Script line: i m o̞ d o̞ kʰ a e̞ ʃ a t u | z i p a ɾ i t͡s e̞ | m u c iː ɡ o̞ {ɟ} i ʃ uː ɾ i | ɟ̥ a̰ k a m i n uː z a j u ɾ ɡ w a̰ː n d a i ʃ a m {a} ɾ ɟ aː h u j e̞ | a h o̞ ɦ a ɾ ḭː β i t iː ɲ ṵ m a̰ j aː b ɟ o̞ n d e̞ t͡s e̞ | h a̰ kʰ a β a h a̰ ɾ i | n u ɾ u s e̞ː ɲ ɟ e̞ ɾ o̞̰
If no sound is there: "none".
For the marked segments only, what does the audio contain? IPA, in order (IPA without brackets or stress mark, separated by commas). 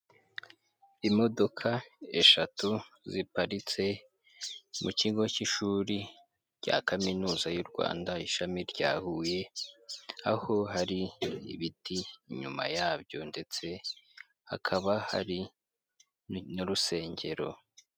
c, i